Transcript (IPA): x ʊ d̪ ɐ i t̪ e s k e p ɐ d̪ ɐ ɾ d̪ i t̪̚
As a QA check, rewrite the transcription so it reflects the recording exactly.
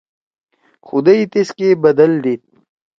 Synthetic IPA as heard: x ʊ d̪ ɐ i t̪ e s k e b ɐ d̪ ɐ l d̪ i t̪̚

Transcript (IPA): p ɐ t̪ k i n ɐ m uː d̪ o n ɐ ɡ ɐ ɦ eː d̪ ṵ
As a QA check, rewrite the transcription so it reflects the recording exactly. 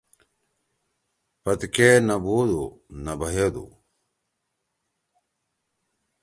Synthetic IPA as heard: p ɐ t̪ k e n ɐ b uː d̪ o n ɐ b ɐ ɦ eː d̪ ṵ

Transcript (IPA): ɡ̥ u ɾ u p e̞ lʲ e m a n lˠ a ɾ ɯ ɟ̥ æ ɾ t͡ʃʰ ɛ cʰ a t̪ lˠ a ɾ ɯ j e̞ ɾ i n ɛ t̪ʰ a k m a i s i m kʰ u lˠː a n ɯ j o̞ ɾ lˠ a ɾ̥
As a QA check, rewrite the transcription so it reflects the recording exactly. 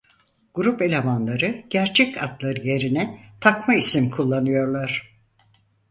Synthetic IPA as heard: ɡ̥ u ɾ u p e̞ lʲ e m a n lˠ a ɾ ɯ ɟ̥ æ ɾ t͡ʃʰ ɛ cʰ a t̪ lˠ a ɾ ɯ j e̞ ɾ i n ɛ t̪ʰ a k m a i s i m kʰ u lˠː a n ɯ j o̞ ɾ lˠ a ɾ̥

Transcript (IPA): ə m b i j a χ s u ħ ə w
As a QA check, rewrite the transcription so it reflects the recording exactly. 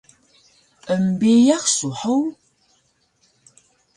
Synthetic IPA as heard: ə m b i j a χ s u ħ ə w

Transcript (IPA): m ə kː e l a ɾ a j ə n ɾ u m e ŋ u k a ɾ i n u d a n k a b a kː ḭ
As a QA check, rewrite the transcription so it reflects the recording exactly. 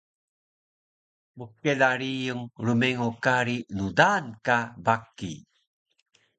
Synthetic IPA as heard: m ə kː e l a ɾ i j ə ŋ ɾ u m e ŋ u k a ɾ i n u d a n k a b a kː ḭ

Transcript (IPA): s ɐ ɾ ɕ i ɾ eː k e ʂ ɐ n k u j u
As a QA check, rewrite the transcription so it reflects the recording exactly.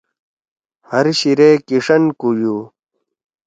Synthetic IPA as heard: h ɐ ɾ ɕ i ɾ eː k i ʂ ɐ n k u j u

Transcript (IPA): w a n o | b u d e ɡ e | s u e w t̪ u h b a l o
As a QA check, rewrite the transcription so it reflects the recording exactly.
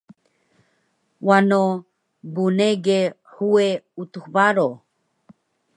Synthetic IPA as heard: w a n o | b u n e ɡ e | h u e u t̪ u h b a ɾ o

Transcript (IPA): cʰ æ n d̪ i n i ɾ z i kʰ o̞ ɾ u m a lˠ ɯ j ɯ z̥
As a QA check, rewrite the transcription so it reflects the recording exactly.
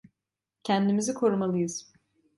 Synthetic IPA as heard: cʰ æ n d̪ i m i z i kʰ o̞ ɾ u m a lˠ ɯ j ɯ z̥

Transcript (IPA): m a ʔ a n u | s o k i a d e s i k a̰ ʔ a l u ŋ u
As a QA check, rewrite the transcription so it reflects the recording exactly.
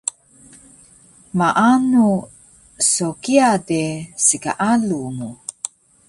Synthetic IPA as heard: m a ʔ a n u | s o k i a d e s i k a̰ ʔ a l u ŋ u

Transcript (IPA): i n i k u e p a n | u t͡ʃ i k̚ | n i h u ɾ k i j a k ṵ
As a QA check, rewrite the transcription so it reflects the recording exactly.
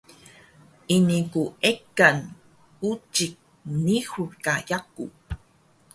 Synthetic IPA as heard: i n i k u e k a n | u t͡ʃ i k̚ | n i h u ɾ k a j a k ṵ

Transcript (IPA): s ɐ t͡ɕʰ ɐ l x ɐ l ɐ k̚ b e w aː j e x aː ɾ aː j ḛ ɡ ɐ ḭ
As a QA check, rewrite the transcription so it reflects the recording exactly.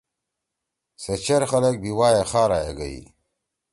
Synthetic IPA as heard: s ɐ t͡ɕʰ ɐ ɾ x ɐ l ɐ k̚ b i w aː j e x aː ɾ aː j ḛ ɡ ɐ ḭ

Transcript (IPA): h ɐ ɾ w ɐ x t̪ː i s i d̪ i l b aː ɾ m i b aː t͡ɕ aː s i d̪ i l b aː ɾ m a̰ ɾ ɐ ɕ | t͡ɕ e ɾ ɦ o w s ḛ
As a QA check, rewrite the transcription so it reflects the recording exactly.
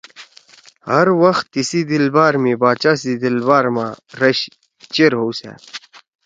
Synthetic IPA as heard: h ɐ ɾ w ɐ x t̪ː i s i d̪ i l b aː ɾ m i b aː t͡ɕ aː s i d̪ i l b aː ɾ m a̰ ɾ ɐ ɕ | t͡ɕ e ɾ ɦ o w s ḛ

